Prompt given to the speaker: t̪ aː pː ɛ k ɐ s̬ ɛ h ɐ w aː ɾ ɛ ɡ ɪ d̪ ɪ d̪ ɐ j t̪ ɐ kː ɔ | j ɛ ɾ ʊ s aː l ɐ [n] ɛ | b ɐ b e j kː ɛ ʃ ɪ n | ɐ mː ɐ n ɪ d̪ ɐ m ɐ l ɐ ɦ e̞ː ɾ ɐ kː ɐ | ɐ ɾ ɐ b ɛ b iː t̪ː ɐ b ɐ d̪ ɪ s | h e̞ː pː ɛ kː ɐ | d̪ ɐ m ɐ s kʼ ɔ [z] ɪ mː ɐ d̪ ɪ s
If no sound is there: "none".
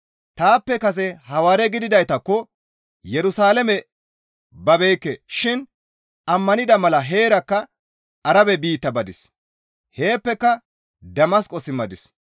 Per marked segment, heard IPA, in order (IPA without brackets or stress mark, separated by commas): m, s